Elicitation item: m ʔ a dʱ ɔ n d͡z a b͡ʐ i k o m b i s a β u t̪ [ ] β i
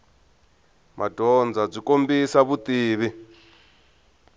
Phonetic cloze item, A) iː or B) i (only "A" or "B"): A